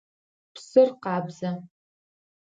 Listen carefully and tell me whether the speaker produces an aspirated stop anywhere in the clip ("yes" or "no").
no